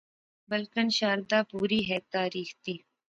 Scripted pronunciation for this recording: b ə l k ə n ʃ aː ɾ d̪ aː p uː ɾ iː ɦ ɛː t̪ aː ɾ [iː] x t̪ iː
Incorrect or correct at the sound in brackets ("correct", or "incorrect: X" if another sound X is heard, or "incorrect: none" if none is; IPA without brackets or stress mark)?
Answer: correct